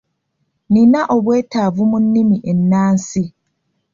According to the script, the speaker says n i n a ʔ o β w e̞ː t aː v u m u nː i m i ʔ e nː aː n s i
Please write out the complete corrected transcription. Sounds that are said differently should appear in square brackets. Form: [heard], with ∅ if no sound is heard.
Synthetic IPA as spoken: n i n a ʔ o β w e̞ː t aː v u m u nː i m i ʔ e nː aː n s i